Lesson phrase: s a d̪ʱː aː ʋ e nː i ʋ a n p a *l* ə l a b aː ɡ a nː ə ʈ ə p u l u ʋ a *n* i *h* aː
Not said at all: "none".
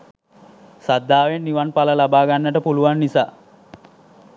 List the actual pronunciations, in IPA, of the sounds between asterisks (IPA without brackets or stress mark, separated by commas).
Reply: l, nː, s